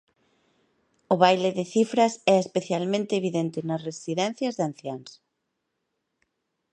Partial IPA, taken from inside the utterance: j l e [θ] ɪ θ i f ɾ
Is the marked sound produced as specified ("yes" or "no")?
no